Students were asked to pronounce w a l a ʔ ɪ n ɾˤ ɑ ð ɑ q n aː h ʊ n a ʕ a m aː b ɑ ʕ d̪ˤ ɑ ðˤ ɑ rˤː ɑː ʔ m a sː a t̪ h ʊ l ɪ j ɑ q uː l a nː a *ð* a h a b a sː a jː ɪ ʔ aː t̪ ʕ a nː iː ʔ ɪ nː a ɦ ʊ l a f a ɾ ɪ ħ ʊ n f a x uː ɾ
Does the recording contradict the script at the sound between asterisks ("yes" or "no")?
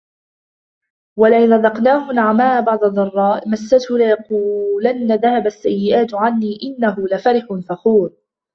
no